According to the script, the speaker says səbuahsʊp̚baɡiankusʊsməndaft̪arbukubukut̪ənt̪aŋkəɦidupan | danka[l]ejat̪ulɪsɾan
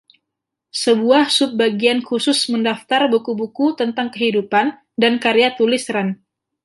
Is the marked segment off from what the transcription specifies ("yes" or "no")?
yes